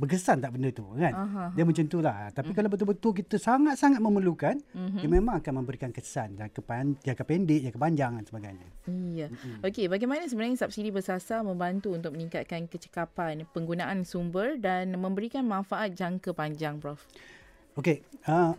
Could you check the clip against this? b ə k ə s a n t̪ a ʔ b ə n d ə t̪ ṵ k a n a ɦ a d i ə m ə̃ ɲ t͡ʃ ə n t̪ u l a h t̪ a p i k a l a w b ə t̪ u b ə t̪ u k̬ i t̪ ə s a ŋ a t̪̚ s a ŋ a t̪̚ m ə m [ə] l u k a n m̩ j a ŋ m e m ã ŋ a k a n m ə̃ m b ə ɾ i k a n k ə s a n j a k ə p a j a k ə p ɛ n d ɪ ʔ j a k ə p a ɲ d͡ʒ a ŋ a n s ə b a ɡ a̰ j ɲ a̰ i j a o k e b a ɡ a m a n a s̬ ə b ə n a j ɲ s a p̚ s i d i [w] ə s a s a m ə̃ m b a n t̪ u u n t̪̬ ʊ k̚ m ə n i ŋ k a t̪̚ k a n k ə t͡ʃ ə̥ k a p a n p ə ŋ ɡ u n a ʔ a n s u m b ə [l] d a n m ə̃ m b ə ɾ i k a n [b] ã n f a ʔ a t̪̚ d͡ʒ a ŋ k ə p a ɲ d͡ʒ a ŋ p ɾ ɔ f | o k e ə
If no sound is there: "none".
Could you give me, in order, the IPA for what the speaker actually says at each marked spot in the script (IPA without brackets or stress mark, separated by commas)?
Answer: ə, b, r, m